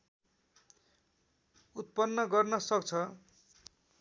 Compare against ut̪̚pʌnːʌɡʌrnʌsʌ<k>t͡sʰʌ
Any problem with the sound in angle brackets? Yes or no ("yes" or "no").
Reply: no